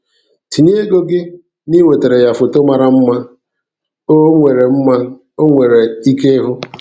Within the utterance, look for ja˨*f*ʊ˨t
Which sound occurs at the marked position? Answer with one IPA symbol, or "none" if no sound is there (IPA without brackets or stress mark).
f